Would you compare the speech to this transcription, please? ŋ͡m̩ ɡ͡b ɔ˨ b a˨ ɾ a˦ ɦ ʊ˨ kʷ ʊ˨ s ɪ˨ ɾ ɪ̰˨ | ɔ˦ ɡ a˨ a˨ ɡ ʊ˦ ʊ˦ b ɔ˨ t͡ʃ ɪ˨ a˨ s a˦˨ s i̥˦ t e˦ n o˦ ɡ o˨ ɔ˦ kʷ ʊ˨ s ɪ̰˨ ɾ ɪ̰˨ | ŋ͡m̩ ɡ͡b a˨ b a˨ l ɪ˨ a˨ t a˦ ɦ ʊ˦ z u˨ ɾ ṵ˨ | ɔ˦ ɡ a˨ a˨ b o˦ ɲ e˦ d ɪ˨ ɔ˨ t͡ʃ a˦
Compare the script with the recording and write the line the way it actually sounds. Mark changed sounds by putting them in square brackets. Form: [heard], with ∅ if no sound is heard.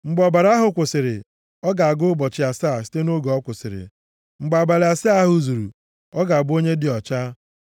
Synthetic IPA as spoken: ŋ͡m̩ ɡ͡b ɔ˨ b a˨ ɾ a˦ ɦ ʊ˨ kʷ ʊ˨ s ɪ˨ ɾ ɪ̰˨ | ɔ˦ ɡ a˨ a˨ ɡ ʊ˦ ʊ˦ b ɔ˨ t͡ʃ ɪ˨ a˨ s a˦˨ s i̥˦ t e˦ n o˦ ɡ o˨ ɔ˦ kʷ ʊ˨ s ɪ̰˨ ɾ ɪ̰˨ | ŋ͡m̩ ɡ͡b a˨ b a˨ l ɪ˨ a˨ [s] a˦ ɦ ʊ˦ z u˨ ɾ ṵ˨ | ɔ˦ ɡ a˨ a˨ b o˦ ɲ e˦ d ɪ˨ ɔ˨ t͡ʃ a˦